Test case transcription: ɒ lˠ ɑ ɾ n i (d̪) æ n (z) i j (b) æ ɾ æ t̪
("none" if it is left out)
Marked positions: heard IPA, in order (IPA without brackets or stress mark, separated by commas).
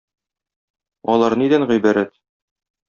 d̪, ʁ, b